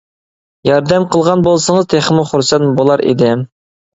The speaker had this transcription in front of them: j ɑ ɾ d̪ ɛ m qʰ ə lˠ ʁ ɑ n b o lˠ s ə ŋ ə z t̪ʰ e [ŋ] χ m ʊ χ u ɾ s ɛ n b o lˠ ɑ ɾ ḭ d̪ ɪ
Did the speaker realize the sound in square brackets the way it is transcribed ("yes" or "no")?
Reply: no